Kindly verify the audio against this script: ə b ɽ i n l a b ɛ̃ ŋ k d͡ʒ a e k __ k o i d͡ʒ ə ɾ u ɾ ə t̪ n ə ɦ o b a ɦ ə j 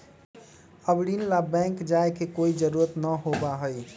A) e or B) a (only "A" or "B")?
A